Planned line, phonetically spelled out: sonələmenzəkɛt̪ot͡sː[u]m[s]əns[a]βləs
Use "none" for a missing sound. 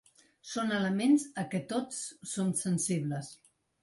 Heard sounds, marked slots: o, s, i

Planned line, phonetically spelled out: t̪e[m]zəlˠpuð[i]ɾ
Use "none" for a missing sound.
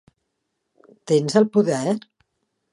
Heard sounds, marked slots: n, ɛ

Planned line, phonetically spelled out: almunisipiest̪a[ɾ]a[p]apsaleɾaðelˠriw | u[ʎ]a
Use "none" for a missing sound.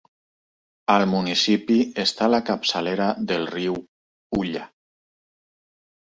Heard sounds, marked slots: l, k, ʎ

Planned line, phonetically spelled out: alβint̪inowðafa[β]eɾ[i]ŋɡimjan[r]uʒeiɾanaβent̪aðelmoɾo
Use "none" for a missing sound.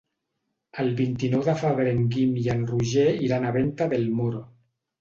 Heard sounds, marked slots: β, e, r

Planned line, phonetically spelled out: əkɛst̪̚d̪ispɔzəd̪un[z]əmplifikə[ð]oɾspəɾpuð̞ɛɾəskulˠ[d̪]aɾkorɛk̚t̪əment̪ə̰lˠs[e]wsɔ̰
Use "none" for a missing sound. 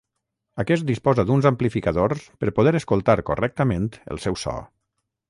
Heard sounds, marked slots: z, ð, t̪, ɛ

